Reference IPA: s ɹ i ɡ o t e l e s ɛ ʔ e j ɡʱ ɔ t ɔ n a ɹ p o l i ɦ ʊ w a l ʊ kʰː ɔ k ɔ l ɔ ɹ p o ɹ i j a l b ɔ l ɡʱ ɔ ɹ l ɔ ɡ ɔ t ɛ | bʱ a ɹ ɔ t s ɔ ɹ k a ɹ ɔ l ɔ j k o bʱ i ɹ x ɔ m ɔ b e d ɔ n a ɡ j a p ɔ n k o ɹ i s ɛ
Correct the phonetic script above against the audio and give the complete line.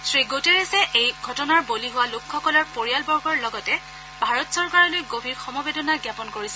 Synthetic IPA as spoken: s ɹ i ɡ o t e ɹ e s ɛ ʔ e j ɡʱ ɔ t ɔ n a ɹ b o l i ɦ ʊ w a l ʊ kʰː ɔ k ɔ l ɔ ɹ p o ɹ i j a l b ɔ ɹ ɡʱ ɔ ɹ l ɔ ɡ ɔ t ɛ | bʱ a ɹ ɔ t s ɔ ɹ k a ɹ ɔ l o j ɡ o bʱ i ɹ x ɔ m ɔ b e d ɔ n a ɡ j a p ɔ n k o ɹ i s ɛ